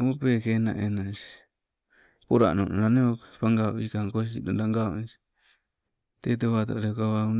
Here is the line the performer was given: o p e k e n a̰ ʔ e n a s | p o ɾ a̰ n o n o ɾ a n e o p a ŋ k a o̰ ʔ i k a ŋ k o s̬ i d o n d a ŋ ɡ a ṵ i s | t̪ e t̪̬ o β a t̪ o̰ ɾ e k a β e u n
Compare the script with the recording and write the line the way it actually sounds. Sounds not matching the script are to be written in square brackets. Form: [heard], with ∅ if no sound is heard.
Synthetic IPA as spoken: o p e k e n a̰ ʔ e n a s | p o ɾ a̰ n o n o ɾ a n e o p a ŋ [ɡ] a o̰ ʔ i k a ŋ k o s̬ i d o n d a ŋ ɡ a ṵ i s | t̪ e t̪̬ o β a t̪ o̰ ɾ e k a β [a] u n

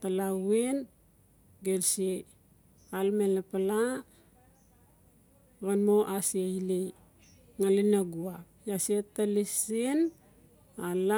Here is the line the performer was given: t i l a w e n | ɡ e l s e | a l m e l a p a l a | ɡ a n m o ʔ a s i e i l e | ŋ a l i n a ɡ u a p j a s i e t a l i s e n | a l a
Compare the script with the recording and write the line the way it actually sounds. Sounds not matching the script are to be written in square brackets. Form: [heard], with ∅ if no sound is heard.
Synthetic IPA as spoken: t [a] l a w e n | ɡ e l s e | a l m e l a p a l a | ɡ a n m o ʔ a s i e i l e | ŋ a l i n a ɡ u a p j a s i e t a l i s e n | a l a

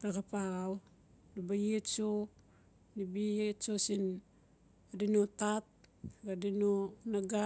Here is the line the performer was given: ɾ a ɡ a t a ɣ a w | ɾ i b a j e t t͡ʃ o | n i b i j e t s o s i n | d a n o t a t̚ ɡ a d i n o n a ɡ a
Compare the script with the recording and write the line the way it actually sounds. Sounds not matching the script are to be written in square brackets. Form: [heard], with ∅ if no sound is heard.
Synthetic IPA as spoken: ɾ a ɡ a [p] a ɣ a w | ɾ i b a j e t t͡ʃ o | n i b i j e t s o s i n | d [i] n o t a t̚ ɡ a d i n o n a ɡ a

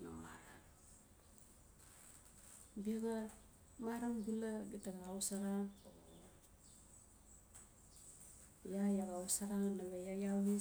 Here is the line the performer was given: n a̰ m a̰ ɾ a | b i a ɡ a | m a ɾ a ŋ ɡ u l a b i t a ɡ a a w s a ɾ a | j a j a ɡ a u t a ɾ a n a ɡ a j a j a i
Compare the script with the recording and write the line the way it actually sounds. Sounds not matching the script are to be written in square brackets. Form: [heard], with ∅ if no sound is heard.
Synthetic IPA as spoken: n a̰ m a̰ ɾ a | b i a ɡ a | m a ɾ a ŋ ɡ u l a [ɡ] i t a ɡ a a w s a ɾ a | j a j a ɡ a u [s] a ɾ a n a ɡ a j a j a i

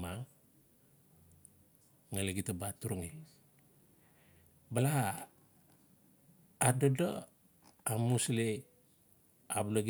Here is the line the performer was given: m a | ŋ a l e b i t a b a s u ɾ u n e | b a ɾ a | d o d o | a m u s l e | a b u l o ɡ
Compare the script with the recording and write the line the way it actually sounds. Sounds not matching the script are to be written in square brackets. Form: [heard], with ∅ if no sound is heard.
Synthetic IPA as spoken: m a | ŋ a l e [ɡ] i t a b a [t] u ɾ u [ŋ] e | b a [l] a | d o d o | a m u s l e | a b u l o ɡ

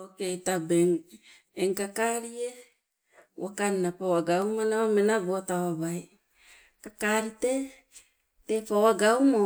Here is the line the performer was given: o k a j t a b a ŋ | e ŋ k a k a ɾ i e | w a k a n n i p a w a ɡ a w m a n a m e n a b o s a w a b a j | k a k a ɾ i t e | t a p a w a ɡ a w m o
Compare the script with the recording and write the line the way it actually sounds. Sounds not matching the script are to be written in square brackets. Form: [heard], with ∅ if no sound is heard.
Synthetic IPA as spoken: o k [e] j t a b [e] ŋ | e ŋ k a k a ɾ i e | w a k a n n [a] p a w a ɡ a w m a n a m e n a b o [t] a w a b a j | k a k a ɾ i t e | t [e] p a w a ɡ a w m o

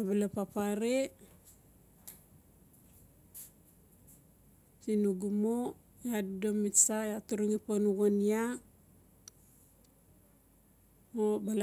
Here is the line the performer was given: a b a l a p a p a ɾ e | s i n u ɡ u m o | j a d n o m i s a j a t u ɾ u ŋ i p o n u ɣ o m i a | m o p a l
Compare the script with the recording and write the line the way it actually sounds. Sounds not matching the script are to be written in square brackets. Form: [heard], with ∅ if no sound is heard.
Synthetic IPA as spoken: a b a l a p a p a ɾ e | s i n u ɡ u m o | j a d [d] o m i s a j a t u ɾ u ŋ i p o n u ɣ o [n] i a | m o [b] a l

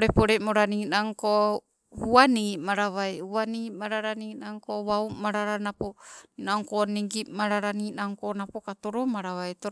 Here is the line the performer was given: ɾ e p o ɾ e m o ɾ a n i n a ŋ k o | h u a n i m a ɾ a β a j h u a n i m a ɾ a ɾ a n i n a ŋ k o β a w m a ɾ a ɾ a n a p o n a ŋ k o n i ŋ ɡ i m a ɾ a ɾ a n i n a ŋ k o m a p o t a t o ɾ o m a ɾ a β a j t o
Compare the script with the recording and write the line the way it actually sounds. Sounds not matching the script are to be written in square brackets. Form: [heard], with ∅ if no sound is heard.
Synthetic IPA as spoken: ɾ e p o ɾ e m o ɾ a n i n a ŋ k o | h u a n i m a ɾ a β a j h u a n i m a ɾ a ɾ a n i n a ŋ k o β a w m a ɾ a ɾ a n a p o n a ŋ k o n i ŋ ɡ i m a ɾ a ɾ a n i n a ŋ k o [n] a p o [k] a t o ɾ o m a ɾ a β a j t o

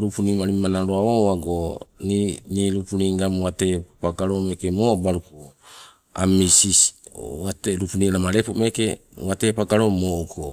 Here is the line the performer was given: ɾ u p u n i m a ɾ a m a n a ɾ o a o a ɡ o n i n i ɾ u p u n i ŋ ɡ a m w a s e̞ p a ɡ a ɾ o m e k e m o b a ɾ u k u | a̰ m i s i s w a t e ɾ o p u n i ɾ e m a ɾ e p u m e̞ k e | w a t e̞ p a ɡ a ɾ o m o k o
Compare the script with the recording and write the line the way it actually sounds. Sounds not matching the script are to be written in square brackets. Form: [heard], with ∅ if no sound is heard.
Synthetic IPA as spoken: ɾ u p u n i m a ɾ [i] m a n a ɾ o a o a ɡ o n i n i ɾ u p u n i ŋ ɡ a m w a [t] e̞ p a ɡ a ɾ o m e k e m o b a ɾ u k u | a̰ m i s i s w a t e ɾ [u] p u n i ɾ [a] m a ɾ e p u m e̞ k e | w a t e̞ p a ɡ a ɾ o m o k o

